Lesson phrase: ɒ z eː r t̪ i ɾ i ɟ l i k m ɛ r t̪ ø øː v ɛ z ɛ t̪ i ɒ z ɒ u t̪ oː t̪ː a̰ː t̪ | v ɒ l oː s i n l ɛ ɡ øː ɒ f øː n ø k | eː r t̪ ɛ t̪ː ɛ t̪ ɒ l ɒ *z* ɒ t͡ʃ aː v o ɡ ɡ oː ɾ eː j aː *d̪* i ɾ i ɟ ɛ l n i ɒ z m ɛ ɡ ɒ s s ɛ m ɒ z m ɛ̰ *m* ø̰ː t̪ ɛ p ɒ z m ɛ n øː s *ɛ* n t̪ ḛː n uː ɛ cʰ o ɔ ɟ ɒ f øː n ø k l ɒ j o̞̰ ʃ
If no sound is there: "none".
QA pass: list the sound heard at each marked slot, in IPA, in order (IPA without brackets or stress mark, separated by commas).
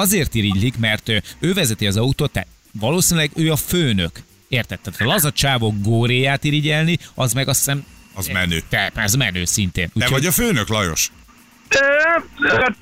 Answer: z, t̪, n, i